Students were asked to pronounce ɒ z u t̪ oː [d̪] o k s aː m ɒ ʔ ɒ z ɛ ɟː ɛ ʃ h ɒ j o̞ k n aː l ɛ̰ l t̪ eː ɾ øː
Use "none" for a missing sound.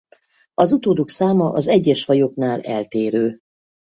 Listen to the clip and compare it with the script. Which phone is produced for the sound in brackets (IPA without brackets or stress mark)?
d̪